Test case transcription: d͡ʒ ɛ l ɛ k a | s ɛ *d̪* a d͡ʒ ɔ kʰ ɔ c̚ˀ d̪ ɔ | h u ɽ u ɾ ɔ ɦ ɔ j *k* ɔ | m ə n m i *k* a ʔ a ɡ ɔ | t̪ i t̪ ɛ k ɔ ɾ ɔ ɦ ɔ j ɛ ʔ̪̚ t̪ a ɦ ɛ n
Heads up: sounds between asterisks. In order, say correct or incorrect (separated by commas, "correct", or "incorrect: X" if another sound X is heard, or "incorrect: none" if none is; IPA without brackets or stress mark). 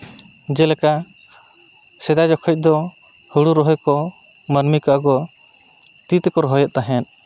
correct, correct, correct